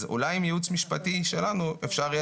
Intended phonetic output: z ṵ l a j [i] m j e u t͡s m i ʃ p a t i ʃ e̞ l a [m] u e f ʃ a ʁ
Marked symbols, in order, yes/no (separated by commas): yes, no